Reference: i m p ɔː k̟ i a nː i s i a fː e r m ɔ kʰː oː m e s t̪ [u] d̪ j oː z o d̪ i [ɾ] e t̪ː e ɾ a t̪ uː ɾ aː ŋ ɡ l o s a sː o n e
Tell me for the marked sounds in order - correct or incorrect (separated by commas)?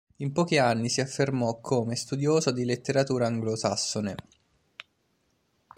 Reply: correct, incorrect